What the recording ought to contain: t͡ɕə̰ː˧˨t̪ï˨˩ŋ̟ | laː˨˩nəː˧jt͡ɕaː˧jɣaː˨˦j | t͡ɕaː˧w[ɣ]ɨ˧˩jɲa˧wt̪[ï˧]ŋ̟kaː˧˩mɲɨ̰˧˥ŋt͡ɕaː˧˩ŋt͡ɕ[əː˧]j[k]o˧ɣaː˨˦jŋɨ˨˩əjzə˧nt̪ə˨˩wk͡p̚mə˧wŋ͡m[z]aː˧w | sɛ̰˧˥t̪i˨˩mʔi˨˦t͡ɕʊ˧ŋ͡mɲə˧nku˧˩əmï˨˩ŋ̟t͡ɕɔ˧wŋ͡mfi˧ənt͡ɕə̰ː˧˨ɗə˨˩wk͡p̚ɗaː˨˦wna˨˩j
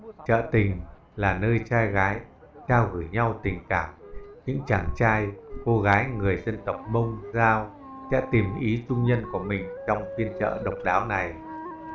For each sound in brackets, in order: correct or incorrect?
correct, incorrect: ï˨˩, incorrect: aː˧, correct, correct

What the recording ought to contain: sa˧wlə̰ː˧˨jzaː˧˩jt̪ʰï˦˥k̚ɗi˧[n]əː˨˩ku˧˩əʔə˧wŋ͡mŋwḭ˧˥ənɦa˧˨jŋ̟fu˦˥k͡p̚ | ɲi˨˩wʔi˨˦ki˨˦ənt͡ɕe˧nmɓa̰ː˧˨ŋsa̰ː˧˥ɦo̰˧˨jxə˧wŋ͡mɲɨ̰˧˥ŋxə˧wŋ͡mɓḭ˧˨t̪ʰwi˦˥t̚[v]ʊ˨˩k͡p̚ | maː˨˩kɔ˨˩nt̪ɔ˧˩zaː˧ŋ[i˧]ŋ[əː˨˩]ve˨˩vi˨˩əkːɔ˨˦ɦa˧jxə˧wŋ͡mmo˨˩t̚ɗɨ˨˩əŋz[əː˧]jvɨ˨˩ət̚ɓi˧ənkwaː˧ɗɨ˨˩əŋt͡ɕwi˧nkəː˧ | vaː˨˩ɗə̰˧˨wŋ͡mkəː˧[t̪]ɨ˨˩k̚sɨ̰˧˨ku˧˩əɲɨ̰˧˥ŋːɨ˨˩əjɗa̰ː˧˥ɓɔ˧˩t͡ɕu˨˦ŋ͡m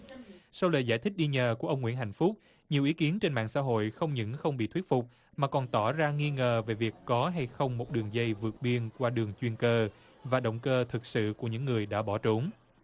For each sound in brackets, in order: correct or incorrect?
incorrect: ɲ, incorrect: f, correct, correct, incorrect: ə˧, incorrect: t̪ʰ

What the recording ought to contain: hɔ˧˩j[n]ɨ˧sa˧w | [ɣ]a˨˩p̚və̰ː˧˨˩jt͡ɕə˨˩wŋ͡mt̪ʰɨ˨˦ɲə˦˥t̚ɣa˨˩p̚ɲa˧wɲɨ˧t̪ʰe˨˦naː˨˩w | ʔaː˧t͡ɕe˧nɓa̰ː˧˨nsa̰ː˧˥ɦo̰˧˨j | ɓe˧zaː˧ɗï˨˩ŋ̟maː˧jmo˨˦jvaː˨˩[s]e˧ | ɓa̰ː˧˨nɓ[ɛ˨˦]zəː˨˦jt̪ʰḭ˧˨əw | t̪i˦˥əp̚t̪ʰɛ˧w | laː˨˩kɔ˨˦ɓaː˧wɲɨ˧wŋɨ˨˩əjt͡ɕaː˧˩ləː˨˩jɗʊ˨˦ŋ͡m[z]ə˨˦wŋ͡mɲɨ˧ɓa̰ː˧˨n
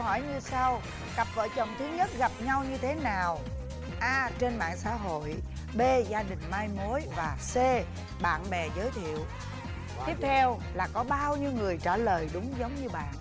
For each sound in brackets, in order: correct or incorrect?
incorrect: ɲ, correct, correct, incorrect: ɛ˨˩, correct

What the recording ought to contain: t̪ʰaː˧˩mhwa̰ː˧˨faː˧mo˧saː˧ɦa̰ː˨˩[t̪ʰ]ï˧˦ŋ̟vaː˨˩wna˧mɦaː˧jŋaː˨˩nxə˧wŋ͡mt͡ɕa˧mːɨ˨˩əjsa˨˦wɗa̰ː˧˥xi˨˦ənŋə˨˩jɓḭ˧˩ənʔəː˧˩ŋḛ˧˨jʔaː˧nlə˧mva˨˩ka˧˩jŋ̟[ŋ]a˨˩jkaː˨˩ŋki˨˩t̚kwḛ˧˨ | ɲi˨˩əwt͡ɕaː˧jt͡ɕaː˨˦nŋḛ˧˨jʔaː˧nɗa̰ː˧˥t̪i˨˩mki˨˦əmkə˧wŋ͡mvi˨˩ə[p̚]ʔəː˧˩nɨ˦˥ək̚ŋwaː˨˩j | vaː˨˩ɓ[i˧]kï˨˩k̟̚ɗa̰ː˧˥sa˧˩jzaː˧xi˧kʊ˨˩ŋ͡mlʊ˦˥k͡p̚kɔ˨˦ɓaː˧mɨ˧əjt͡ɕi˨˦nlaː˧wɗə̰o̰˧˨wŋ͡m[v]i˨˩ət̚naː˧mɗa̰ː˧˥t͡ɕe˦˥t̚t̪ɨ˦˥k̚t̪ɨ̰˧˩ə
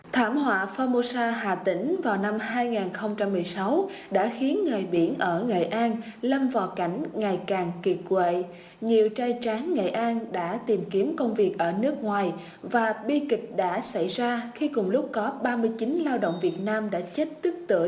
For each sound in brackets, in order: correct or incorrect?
incorrect: t̪, correct, incorrect: k̚, correct, correct

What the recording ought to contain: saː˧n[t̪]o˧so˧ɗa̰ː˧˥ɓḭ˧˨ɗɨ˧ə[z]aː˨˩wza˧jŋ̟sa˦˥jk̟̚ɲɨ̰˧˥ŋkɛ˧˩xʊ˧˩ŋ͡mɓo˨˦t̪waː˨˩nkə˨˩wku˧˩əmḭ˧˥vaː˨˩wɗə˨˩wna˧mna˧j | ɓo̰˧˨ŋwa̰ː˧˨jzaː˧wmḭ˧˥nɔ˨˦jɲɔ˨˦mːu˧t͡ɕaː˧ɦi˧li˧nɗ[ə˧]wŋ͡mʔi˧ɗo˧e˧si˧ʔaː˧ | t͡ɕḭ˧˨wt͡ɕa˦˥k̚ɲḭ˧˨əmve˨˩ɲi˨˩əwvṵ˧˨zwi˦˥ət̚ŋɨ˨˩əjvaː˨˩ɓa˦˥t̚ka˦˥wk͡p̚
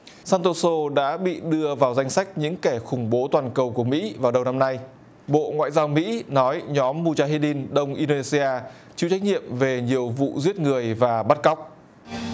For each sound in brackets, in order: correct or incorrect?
correct, incorrect: v, correct

